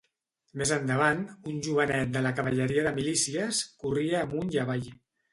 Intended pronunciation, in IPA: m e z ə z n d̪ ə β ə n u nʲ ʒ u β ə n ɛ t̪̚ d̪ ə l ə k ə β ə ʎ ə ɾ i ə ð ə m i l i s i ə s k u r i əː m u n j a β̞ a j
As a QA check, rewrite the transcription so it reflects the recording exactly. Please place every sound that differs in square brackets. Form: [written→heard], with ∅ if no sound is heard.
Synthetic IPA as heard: m e z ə [z→∅] n d̪ ə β [ə→a] n u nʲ ʒ u β ə n ɛ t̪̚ d̪ ə l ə k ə β ə ʎ ə ɾ i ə ð ə m i l i s i ə s k u r i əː m u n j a β̞ a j

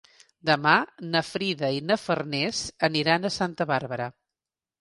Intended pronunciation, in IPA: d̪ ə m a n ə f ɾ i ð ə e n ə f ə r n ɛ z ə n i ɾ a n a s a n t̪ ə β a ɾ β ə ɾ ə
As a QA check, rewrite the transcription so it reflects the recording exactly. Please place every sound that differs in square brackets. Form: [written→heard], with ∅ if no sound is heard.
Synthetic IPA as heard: d̪ ə m a n ə f ɾ i ð ə [e→i] n ə f ə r n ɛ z ə n i ɾ a n [a→ə] s a n t̪ ə β a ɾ β ə ɾ ə

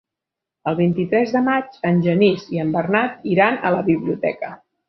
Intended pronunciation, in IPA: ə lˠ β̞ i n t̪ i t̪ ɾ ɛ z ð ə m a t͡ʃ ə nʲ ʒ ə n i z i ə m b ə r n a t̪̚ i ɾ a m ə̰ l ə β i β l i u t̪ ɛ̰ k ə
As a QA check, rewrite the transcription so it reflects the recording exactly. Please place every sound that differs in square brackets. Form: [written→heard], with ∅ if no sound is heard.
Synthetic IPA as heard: ə lˠ β̞ i n t̪ i t̪ ɾ ɛ z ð ə m a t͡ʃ ə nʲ ʒ ə n i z i ə m b ə r n a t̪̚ i ɾ a [m→n] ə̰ l ə β i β l i u t̪ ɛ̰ k ə

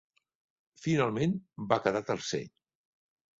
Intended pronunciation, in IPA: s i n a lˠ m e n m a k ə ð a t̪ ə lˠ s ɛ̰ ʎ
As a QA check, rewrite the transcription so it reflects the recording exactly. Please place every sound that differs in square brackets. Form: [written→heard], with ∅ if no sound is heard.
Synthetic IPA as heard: [s→f] i n a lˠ m e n [m→b] a k ə ð a t̪ ə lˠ s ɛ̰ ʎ

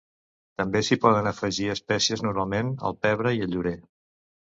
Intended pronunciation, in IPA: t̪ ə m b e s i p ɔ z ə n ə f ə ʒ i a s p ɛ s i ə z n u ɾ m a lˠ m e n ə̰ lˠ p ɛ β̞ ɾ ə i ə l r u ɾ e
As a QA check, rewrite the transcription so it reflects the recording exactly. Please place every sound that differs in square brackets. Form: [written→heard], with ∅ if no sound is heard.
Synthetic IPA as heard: t̪ ə m b e s i p ɔ [z→ð] ə n ə f ə ʒ i [a→ə] s p ɛ s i ə z n u ɾ m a lˠ m e n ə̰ lˠ p ɛ β̞ ɾ ə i ə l [r→ʎ] u ɾ e

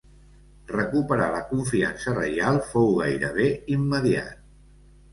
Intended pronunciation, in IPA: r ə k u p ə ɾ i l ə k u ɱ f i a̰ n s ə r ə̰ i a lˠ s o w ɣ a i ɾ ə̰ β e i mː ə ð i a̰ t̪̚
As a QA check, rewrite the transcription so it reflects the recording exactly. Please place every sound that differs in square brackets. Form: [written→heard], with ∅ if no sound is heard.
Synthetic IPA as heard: r ə k u p ə ɾ [i→a] l ə k u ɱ f i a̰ n s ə r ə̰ [i→j] a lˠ [s→f] o w ɣ a [i→j] ɾ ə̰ β e i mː ə ð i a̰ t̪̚

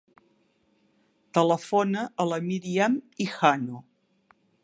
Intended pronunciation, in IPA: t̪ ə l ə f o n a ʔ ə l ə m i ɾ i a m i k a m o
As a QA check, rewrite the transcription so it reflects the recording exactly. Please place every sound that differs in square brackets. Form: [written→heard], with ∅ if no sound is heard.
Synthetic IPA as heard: t̪ ə l ə f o n [a→ə] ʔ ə l ə m i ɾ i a m i [k→x] a [m→n] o

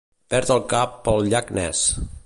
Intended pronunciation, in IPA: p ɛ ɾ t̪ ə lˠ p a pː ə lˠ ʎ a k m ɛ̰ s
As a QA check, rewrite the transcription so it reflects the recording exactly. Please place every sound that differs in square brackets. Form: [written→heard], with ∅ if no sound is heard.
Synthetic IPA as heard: p ɛ ɾ t̪ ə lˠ [p→k] a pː ə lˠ ʎ a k [m→n] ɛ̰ s

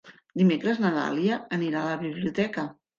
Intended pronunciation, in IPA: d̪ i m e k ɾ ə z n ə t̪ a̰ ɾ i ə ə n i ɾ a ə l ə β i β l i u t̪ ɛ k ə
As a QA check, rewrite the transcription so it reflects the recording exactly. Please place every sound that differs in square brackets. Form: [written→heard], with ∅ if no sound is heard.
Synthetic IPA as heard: d̪ i m e k ɾ ə z n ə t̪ a̰ [ɾ→l] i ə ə n i ɾ a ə l ə β i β l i u t̪ ɛ k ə

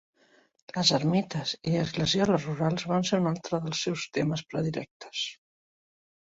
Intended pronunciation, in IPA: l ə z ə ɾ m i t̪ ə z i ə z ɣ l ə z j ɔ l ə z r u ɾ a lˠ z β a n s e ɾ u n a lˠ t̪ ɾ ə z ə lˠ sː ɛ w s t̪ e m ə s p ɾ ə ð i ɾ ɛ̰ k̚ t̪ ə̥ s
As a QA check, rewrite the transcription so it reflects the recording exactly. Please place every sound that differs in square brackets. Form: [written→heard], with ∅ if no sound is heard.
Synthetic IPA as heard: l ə z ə ɾ m i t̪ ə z i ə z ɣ l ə z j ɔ l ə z r u ɾ a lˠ z β a n s e ɾ u n a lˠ t̪ ɾ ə [z→ð] ə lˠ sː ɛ w s t̪ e m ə s p ɾ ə ð i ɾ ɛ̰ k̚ t̪ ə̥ s

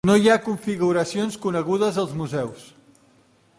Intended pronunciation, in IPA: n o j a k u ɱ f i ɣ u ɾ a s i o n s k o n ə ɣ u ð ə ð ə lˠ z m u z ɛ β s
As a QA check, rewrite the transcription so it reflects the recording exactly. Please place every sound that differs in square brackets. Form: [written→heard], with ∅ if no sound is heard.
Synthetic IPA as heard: n o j a k u ɱ f i ɣ u ɾ [a→ə] s i o n s k [o→u] n ə ɣ u ð ə [ð→z] ə lˠ z m u z ɛ [β→w] s

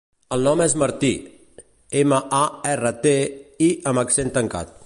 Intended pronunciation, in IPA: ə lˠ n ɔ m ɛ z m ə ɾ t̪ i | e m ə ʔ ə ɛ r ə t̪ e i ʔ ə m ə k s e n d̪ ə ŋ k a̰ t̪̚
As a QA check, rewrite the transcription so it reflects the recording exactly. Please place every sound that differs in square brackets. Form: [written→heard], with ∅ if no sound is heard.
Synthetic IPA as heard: ə lˠ n ɔ m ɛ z m ə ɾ t̪ i | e m ə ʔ [ə→a] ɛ r ə t̪ e i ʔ ə m ə k s e n [d̪→t̪] ə ŋ k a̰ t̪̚

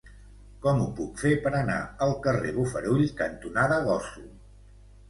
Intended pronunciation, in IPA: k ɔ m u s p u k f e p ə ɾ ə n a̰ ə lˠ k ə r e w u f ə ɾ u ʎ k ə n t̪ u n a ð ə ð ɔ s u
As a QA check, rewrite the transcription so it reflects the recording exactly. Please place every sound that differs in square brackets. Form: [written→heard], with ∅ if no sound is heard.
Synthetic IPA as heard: k ɔ m u [s→∅] p u k f e p ə ɾ ə n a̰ ə lˠ k ə r e [w→β] u f ə ɾ u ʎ k ə n t̪ u n a ð ə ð ɔ s u

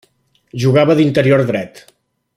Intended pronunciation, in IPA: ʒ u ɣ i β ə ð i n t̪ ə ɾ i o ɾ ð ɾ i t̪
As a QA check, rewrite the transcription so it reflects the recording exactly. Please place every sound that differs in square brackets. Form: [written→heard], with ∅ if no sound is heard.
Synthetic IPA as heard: ʒ u ɣ [i→a] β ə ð i n t̪ ə ɾ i o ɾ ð ɾ [i→ɛ] t̪

